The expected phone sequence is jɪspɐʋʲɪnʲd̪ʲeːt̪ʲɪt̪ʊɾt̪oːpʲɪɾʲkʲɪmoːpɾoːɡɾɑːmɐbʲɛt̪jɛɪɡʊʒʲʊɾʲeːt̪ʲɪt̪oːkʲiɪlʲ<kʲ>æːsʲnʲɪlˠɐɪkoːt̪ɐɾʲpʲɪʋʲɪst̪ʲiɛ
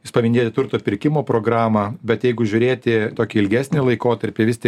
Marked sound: incorrect: ɡʲ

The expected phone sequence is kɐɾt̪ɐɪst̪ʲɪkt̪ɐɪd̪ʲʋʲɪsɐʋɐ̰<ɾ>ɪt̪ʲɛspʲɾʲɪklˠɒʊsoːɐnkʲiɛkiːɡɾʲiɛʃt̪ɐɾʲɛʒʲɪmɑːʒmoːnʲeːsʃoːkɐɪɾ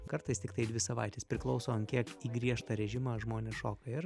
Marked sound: incorrect: none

